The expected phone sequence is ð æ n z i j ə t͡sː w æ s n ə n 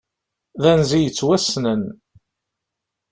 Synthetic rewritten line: ð æ n z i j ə t͡sː w æ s n ə n

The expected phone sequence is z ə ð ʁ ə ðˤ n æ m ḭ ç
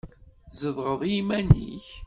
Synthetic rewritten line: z ə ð ʁ ə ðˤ m æ n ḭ ç

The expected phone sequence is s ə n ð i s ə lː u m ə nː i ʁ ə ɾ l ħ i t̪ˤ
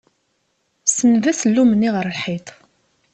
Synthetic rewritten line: s ə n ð æ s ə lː u m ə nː i ʁ ə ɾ l ħ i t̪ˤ

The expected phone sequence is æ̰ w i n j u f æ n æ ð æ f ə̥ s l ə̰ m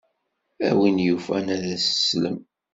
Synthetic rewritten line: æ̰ w i n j u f æ n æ ð æ s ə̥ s l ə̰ m

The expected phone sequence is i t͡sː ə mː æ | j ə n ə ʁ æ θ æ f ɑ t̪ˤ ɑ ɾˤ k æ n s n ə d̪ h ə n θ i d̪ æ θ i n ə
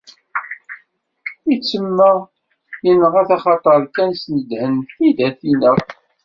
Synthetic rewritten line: i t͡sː ə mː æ | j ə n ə ʁ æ θ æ χ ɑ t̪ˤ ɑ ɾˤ k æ n s n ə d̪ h ə n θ i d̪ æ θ i n ə

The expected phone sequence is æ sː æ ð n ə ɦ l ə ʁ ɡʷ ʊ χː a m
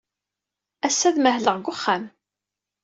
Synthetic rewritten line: æ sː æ ð m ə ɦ l ə ʁ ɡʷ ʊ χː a m

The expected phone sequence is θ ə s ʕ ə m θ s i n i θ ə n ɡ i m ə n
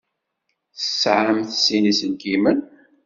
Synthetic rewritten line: θ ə s ʕ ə m θ s i n i s ə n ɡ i m ə n

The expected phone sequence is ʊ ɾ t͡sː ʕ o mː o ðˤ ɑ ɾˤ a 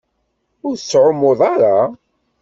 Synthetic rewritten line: ʊ ɾ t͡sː ʕ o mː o ðˤ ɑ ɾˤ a

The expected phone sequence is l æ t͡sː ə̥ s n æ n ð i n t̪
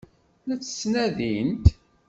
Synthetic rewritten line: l æ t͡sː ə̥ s n æ ð i n t̪

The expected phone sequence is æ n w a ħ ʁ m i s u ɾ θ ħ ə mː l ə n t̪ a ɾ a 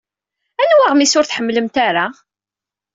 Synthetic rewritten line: æ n w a ʁ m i s ʊ ɾ θ ħ ə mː l ə m t̪ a ɾ a

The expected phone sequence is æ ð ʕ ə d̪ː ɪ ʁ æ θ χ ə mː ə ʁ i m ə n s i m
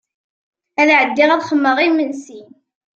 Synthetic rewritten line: æ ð ʕ ə d̪ː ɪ ʁ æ ð χ ə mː ə ʁ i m ə n s i n

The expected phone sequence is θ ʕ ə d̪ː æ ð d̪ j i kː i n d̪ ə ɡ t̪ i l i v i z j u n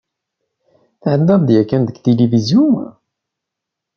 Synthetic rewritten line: θ ʕ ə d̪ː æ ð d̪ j æ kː æ n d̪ ə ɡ t̪ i l i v i z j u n

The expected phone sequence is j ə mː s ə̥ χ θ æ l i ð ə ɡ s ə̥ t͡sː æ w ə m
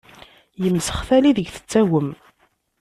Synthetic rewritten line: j ə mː s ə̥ χ θ æ l i ð ə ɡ θ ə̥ t͡sː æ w ə m

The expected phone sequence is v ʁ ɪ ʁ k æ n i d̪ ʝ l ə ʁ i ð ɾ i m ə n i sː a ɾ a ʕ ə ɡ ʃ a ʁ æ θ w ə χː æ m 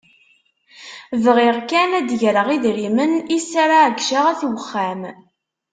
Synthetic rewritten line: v ʁ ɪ ʁ k æ n æ d̪ ʝ ɾ ə ʁ i ð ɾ i m ə n i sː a ɾ a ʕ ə ɡ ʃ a ʁ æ θ w ə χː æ m

